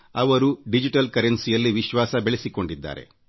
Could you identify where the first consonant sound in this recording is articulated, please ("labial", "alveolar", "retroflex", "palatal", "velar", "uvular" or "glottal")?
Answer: labial